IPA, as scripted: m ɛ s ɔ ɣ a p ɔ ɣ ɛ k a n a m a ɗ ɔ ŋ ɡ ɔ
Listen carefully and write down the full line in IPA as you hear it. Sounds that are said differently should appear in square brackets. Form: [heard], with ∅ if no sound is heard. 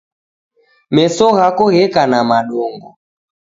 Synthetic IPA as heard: m ɛ s ɔ ɣ a [k] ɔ ɣ ɛ k a n a m a ɗ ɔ ŋ ɡ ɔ